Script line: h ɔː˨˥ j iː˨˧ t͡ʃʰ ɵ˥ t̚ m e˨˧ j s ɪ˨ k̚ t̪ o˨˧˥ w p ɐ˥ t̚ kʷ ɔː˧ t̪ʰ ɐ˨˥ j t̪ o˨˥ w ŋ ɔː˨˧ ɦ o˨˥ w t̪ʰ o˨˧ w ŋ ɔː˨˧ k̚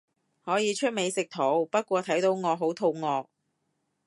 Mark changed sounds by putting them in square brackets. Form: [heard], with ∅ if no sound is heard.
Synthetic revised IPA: h ɔː˨˥ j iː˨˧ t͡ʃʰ ɵ˥ t̚ m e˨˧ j s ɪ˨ k̚ [t̪ʰ] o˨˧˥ w p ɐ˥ t̚ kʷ ɔː˧ t̪ʰ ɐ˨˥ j t̪ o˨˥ w ŋ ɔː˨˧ ɦ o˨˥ w t̪ʰ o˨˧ w ŋ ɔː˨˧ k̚